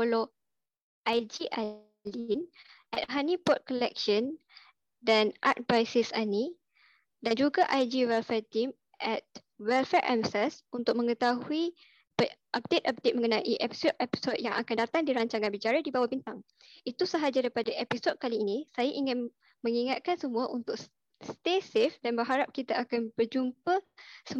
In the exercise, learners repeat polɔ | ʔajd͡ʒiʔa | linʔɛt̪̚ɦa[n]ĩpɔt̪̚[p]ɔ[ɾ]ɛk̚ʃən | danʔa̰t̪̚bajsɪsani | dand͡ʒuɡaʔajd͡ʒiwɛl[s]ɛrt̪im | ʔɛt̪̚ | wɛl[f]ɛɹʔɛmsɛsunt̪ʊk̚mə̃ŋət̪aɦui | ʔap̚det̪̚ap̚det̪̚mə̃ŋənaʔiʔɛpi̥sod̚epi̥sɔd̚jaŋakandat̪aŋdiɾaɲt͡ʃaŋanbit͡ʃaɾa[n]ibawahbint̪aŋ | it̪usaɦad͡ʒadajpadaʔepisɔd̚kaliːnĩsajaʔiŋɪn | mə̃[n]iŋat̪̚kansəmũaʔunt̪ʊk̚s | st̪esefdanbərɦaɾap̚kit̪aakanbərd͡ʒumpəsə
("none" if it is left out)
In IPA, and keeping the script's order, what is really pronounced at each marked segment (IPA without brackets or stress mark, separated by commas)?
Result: n, k, l, f, f, d, ŋ